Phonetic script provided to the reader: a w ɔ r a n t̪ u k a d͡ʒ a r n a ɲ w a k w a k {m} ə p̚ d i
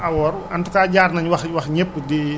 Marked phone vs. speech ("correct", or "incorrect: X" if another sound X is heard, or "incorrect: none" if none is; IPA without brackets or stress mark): incorrect: ɲ